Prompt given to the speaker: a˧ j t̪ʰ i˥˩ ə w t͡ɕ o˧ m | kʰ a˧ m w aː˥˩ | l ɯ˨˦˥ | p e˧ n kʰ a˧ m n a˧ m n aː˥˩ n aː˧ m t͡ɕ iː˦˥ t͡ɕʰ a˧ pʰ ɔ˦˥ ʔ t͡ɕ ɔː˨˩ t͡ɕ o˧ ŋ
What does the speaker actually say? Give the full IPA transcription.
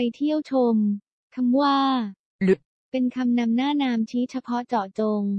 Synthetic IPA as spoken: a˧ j t̪ʰ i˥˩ ə w t͡ɕʰ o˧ m | kʰ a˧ m w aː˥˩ | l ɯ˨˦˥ | p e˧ n kʰ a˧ m n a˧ m n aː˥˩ n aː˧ m t͡ɕʰ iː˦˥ t͡ɕʰ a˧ pʰ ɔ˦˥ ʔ t͡ɕ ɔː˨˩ t͡ɕ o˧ ŋ

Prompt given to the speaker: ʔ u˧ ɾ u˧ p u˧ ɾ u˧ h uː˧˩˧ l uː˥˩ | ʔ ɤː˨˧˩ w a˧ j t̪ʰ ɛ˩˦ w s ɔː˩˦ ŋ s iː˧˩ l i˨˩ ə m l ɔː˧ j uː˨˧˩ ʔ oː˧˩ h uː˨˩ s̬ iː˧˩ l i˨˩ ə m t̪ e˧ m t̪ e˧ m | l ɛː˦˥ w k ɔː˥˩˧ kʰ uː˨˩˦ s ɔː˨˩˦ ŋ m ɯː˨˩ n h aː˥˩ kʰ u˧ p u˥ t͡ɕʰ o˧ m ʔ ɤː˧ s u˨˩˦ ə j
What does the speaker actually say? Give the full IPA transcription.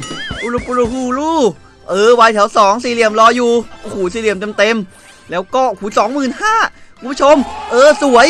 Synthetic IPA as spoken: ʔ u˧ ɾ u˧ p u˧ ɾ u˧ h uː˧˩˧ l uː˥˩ | ʔ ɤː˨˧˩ w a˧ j t̪ʰ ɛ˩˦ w s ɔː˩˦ ŋ s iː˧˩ l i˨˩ ə m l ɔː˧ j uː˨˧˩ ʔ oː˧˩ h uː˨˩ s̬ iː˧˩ l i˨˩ ə m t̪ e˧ m t̪ e˧ m | l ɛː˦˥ w k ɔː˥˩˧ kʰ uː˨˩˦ s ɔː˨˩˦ ŋ m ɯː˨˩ n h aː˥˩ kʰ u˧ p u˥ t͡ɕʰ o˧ m ʔ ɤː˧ s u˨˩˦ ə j

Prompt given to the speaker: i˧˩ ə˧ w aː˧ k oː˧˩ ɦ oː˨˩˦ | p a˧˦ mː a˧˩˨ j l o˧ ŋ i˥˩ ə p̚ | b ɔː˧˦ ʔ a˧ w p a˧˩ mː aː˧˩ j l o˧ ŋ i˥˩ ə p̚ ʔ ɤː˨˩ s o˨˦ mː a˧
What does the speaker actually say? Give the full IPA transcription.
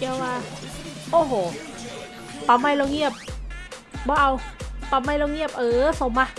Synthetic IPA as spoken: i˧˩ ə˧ w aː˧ ʔ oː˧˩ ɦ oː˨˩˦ | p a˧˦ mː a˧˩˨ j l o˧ ŋ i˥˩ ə p̚ | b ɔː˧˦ ʔ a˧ w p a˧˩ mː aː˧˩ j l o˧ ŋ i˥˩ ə p̚ ʔ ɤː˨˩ s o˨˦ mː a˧

